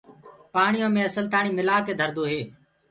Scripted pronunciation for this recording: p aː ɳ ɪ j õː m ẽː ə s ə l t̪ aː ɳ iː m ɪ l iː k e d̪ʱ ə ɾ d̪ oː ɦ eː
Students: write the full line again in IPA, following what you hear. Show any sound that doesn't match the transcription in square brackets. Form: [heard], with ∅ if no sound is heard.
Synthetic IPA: p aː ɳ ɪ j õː m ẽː ə s ə l t̪ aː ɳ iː m ɪ l [aː] k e d̪ʱ ə ɾ d̪ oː ɦ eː